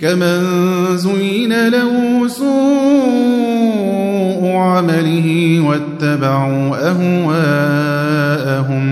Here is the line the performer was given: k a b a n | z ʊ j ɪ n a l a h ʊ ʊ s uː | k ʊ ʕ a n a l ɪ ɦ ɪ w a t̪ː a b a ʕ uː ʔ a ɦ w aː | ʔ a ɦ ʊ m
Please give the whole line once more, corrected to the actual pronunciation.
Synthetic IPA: k a m a n | z ʊ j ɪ n a l a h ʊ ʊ s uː | ʔ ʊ ʕ a m a l ɪ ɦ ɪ w a t̪ː a b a ʕ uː ʔ a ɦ w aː | ʔ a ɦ ʊ m